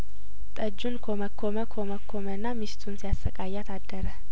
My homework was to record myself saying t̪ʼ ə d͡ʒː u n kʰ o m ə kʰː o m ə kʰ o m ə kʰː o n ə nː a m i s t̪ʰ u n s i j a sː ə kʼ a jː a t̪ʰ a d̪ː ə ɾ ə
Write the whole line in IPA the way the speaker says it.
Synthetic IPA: t̪ʼ ə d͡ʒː u n kʰ o m ə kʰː o m ə kʰ o m ə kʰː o m ə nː a m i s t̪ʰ u n s i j a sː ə kʼ a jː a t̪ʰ a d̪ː ə ɾ ə